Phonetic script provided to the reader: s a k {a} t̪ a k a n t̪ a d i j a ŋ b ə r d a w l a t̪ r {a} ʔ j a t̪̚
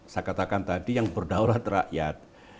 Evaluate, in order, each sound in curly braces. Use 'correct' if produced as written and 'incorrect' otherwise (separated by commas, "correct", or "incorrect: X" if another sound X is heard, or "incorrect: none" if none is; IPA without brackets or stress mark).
correct, correct